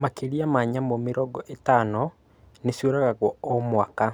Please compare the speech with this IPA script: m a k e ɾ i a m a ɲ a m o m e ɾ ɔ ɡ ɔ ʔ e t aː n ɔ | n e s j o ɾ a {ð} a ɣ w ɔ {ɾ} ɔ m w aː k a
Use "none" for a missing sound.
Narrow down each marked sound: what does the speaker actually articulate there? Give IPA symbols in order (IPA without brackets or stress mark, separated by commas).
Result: ɣ, none